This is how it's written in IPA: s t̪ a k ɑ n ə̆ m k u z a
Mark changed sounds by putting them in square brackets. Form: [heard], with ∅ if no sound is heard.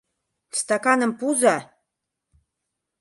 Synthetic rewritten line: s t̪ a k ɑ n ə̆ m [p] u z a